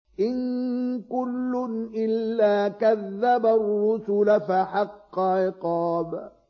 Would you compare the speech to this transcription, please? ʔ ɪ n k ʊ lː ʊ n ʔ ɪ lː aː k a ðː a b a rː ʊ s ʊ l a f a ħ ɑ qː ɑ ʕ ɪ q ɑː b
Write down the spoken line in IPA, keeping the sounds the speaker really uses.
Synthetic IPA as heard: ʔ ɪ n k ʊ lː ʊ n ʔ ɪ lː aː k a ðː a b a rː ʊ s ʊ l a f a ħ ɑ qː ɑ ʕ ɪ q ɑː b